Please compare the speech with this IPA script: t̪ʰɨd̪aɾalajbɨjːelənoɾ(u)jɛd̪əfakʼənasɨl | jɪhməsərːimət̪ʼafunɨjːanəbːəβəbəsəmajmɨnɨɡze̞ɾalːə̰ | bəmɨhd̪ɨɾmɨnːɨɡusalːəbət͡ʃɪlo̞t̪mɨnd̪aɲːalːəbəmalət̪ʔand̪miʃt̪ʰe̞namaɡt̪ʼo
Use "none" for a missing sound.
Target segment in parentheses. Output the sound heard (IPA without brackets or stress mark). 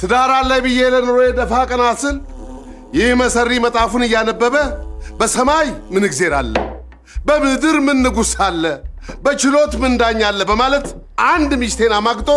o